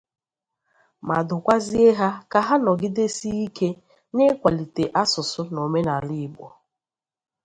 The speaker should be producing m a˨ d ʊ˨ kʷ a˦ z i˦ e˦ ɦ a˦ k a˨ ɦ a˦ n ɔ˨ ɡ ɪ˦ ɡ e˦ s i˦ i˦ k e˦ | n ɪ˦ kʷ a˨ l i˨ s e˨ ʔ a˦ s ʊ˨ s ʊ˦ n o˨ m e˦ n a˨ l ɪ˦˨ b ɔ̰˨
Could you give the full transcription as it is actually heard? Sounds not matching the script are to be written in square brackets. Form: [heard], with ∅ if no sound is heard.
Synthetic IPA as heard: m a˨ d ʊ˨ kʷ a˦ z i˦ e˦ ɦ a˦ k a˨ ɦ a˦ n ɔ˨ ɡ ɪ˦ [d] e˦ s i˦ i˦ k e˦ | n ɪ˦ kʷ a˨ l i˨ [t] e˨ ʔ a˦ s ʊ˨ s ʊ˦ n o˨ m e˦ n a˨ l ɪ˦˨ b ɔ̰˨